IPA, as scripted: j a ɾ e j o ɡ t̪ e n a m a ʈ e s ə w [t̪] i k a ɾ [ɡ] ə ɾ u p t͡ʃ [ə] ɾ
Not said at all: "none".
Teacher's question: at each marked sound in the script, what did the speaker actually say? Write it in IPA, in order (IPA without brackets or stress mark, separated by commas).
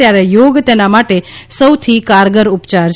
t̪ʰ, ɡ, a